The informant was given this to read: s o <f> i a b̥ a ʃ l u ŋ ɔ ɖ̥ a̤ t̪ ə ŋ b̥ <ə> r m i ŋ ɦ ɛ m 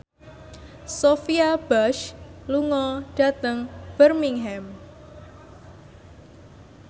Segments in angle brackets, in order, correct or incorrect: correct, correct

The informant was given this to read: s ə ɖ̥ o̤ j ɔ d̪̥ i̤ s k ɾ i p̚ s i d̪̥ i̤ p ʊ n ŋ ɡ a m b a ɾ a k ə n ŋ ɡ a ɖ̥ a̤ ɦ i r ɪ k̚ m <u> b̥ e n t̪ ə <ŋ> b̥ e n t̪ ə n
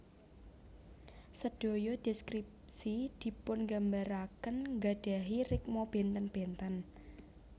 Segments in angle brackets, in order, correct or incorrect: incorrect, incorrect

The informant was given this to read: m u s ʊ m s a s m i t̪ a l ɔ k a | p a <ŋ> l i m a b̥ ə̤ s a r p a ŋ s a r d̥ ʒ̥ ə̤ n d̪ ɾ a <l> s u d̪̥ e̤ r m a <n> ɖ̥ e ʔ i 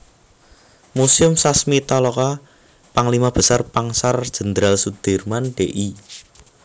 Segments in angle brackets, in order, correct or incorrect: correct, correct, correct

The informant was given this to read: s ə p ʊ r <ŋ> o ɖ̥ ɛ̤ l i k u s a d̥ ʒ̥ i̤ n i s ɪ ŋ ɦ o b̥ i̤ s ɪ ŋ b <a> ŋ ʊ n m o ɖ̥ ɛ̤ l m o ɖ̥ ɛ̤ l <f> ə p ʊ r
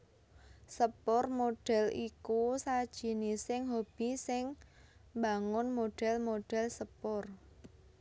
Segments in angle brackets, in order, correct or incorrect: incorrect, correct, incorrect

